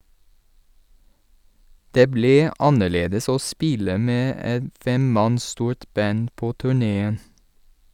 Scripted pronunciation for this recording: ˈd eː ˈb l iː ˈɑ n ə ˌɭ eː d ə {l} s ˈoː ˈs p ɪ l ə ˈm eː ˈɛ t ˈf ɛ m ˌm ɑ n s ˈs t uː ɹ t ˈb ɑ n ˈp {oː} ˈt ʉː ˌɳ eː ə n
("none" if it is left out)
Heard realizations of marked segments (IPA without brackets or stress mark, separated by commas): none, oː